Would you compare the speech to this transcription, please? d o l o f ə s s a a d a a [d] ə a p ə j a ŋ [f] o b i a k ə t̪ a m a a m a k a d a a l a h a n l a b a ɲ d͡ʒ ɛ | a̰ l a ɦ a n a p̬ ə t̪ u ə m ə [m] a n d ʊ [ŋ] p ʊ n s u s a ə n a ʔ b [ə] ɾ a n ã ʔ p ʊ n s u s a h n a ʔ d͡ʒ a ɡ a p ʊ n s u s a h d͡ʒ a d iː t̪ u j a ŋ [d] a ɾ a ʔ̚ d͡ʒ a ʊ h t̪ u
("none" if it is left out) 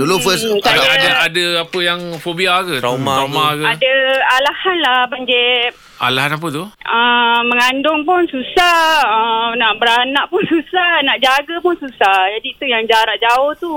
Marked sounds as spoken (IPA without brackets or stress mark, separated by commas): d, f, ŋ, ŋ, ə, d͡ʒ